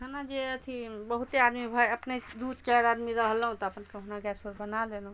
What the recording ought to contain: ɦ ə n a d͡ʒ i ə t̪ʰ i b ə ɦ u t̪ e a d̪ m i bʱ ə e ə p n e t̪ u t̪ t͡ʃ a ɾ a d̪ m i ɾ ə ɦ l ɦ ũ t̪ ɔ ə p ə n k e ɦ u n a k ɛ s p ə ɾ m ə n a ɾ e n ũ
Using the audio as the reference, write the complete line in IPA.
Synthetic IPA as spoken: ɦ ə n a d͡ʒ e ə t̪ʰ i b ə ɦ u t̪ e a d̪ m i bʱ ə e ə p n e d̪ u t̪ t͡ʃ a ɾ a d̪ m i ɾ ə ɦ l ɦ ũ t̪ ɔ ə p ə n k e ɦ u n a ɡ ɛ s p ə ɾ b ə n a l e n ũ